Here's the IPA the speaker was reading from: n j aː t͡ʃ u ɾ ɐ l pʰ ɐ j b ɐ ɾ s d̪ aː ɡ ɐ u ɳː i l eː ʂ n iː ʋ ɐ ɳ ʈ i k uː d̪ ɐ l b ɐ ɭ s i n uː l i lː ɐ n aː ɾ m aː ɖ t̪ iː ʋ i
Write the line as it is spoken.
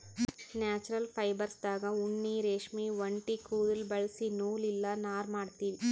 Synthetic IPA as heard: n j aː t͡ʃ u ɾ ɐ l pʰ ɐ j b ɐ ɾ s d̪ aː ɡ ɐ u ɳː i ɾ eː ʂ m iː ʋ ɐ ɳ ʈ i k uː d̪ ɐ l b ɐ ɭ s i n uː l i lː ɐ n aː ɾ m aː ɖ t̪ iː ʋ i